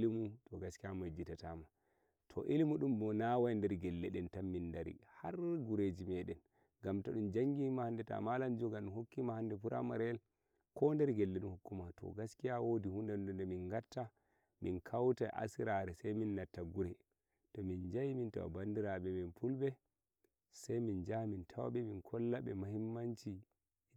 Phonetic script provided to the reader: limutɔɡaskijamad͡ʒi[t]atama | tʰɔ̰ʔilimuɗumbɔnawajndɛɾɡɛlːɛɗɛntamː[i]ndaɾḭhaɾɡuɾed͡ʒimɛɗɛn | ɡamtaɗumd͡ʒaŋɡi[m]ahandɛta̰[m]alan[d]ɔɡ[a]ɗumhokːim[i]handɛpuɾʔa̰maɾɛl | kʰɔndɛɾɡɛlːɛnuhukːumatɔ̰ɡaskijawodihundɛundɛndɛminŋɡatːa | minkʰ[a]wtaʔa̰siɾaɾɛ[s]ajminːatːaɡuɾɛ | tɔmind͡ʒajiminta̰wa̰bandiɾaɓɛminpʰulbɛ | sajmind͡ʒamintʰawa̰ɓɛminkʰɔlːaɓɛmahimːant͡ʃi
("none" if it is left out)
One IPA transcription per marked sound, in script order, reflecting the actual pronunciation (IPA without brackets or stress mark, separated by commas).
t, i, m, m, d͡ʒ, a, a, a, s